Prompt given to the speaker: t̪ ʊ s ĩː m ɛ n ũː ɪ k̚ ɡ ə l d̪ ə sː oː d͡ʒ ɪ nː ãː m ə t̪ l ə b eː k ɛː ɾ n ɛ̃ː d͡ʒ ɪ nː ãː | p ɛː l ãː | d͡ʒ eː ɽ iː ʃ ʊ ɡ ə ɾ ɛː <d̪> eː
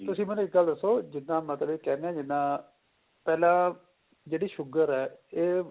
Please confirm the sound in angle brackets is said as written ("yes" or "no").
no